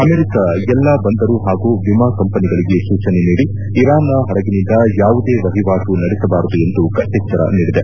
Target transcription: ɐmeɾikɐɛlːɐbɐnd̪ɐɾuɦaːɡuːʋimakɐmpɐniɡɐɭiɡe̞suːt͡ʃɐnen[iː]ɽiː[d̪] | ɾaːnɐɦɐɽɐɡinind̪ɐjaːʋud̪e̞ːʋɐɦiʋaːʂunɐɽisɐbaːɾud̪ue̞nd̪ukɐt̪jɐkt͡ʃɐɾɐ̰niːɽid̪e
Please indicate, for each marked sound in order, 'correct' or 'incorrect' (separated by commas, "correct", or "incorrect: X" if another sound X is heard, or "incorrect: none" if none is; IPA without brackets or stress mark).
correct, incorrect: none